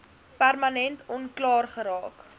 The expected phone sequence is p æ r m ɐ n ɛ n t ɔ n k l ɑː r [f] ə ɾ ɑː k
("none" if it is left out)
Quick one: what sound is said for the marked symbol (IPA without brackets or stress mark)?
χ